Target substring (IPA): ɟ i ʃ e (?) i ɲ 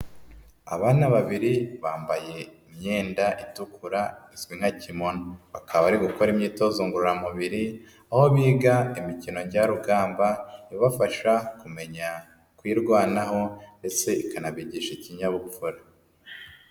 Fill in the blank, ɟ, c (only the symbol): c